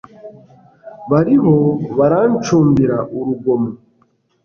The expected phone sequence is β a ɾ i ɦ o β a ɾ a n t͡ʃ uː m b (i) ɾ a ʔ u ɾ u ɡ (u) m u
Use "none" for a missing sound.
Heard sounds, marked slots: i, o

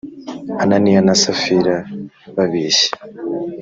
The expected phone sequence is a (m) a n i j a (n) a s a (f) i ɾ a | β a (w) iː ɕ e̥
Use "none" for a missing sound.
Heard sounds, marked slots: n, n, f, β

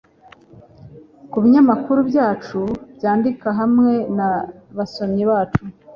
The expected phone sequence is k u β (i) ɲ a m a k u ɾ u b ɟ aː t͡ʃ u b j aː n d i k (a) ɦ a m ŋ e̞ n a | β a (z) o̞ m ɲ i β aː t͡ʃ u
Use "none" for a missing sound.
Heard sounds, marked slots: i, a, s

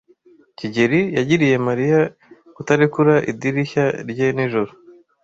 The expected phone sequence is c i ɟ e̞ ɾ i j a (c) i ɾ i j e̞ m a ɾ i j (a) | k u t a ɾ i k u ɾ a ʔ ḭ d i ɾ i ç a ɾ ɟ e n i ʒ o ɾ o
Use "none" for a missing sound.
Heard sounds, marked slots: ɟ, a

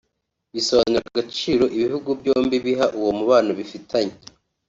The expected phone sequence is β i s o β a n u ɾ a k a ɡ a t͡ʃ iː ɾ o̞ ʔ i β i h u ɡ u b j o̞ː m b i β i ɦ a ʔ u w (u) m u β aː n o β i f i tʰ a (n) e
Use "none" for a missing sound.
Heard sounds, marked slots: o, ɲ

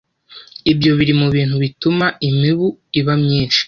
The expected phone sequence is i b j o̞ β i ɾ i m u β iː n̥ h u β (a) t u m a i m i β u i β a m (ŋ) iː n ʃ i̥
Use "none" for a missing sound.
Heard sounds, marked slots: i, ɲ

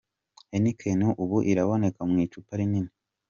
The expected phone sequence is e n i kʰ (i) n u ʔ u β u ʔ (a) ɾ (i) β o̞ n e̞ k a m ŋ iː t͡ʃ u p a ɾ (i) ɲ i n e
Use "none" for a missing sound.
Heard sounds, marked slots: e, i, a, i

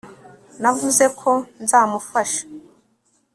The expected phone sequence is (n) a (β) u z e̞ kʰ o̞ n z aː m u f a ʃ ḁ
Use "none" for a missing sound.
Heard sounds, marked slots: n, v

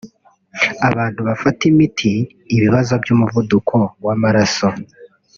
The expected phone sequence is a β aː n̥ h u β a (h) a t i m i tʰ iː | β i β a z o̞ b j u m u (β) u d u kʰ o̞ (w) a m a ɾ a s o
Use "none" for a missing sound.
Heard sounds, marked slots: f, v, w

